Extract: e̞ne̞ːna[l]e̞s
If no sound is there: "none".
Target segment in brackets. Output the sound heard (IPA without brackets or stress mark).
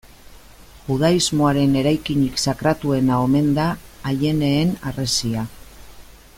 r